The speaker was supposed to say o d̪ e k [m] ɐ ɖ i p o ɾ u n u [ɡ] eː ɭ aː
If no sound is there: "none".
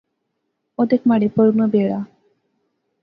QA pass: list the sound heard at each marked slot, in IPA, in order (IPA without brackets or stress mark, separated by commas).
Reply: m, b